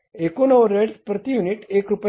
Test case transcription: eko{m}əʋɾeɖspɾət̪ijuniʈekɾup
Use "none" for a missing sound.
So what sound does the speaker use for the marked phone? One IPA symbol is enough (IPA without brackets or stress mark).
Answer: n